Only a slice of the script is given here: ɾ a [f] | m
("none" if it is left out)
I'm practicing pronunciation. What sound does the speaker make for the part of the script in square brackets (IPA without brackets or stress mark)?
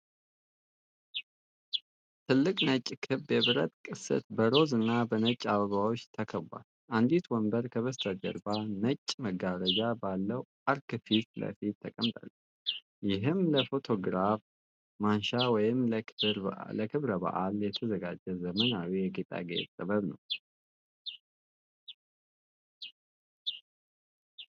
f